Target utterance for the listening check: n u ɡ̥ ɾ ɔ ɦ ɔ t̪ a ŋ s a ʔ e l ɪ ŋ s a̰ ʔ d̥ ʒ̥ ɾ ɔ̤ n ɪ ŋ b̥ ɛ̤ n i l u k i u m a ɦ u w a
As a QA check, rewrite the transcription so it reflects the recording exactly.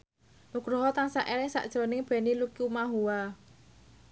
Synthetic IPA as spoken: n u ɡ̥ ɾ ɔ ɦ ɔ t̪ a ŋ s a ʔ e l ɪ ŋ s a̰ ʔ d̥ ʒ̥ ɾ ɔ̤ n ɪ ŋ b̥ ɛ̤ n i l u k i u m a ɦ u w a